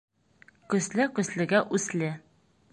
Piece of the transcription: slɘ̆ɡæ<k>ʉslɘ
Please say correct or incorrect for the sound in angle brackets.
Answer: incorrect